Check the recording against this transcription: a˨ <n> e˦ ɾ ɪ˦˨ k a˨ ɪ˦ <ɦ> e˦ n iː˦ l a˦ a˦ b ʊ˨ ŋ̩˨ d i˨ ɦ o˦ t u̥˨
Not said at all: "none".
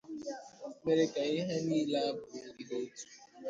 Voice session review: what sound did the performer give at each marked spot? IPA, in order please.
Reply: m, ɦ

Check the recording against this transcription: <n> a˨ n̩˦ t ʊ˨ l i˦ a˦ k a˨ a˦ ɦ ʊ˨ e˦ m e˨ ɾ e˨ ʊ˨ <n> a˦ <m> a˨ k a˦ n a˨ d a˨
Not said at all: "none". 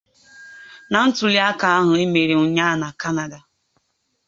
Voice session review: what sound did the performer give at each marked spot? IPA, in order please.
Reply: n, ɲ, n

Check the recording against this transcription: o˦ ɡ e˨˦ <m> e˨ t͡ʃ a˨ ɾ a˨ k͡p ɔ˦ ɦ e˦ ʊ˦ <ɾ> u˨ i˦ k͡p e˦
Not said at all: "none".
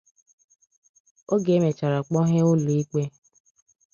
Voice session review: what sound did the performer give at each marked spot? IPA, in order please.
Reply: m, l

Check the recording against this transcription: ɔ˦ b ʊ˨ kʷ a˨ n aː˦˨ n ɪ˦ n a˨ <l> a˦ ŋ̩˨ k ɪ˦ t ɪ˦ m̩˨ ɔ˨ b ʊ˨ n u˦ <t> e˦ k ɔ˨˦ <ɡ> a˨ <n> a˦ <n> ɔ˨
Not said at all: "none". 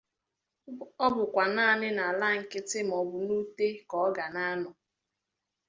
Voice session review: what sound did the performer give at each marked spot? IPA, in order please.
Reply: l, t, ɡ, n, n

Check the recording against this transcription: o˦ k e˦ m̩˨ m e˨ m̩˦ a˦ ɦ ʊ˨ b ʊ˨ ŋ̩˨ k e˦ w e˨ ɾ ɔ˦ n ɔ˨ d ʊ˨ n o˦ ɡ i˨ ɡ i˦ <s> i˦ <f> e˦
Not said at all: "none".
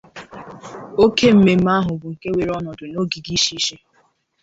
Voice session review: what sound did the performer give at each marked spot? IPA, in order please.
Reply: ʃ, ʃ

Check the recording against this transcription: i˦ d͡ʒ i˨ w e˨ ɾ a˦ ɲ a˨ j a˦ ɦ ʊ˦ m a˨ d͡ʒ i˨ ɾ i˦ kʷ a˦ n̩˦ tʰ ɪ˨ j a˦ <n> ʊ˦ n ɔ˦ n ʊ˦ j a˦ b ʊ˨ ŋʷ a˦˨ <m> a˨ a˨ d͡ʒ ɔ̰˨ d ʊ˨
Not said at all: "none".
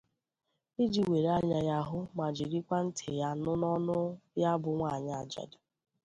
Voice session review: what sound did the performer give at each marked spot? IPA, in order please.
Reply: n, ɲ

